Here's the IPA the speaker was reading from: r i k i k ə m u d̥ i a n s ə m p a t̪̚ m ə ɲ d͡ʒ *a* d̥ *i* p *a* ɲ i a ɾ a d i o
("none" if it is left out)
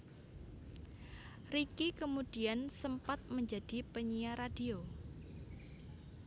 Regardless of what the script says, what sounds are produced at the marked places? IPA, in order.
a, i, ə

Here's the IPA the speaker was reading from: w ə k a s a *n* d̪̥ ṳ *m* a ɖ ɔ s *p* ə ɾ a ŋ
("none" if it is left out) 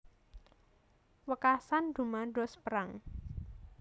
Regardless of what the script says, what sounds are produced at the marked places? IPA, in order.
n, m, p

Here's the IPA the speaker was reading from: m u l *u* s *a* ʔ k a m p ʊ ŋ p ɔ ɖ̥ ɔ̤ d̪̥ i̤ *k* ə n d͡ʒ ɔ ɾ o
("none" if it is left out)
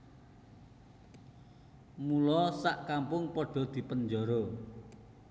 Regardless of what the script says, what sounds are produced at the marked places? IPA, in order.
ɔ, a, p

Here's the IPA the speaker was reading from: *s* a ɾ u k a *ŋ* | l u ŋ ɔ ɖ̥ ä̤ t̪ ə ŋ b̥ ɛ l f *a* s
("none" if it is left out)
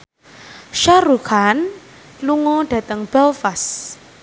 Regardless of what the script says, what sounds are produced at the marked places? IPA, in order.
ʃ, n, a

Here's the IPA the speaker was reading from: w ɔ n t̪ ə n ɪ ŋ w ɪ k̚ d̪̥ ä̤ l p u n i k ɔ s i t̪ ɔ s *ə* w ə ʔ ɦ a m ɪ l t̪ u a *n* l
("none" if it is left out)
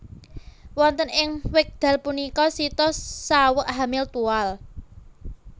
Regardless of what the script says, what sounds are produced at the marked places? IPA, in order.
a, none

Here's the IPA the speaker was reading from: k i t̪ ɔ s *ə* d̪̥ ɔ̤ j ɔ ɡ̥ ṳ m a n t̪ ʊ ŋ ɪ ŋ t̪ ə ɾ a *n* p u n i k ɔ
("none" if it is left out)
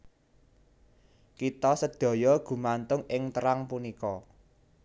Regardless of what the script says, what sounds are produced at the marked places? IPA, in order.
ə, ŋ

